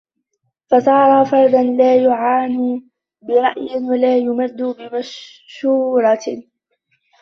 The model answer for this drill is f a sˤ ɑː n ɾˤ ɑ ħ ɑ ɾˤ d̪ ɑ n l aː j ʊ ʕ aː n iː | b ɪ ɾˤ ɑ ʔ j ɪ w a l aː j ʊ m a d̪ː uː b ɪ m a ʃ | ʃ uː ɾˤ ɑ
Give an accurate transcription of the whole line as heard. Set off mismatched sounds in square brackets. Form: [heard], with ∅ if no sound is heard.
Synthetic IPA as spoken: f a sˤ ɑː [∅] ɾˤ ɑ [f] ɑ ɾˤ d̪ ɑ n l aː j ʊ ʕ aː n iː | b ɪ ɾˤ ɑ ʔ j ɪ w a l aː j ʊ m a d̪ː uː b ɪ m a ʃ | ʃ uː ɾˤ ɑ